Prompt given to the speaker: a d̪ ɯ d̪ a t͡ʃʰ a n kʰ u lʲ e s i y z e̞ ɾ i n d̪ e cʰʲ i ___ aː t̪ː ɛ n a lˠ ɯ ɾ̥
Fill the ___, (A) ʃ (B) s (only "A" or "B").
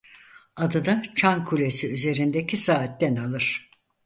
B